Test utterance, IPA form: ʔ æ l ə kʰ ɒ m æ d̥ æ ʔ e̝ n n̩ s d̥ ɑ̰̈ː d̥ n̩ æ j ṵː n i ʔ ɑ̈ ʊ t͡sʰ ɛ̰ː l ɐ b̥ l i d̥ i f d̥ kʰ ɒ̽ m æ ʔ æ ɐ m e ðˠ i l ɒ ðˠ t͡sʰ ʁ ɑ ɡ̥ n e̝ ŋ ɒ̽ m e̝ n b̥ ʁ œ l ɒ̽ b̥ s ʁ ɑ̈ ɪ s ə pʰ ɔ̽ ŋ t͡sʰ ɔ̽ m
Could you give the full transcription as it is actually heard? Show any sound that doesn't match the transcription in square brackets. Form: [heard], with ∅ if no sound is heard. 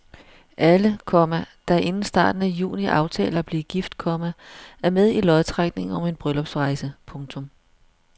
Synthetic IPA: ʔ æ l ə kʰ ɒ m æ d̥ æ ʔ e̝ n n̩ s d̥ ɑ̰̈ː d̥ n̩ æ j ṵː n i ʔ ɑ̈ ʊ t͡sʰ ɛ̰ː l ɐ b̥ l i [ɡ̥] i f d̥ kʰ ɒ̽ m æ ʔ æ ɐ m e ðˠ i l ɒ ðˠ t͡sʰ ʁ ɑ ɡ̥ n e̝ ŋ ɒ̽ m e̝ n b̥ ʁ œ l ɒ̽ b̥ s ʁ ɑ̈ ɪ s ə pʰ ɔ̽ ŋ t͡sʰ ɔ̽ m